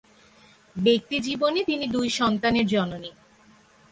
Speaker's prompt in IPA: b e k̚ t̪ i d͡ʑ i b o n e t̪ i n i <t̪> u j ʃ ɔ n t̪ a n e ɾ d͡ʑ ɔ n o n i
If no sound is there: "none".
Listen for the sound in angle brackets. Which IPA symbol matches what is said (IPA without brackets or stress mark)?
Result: d̪